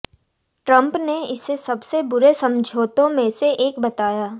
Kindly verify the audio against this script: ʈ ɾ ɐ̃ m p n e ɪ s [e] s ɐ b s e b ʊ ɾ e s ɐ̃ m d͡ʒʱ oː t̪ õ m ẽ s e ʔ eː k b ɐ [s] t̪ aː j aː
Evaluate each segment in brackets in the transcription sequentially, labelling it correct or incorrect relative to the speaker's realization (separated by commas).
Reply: correct, incorrect